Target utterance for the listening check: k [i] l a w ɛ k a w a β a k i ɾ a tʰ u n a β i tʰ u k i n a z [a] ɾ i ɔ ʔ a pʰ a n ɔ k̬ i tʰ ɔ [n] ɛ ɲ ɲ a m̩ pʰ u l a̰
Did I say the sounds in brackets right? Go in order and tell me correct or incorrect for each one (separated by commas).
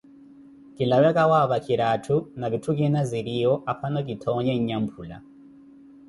correct, incorrect, incorrect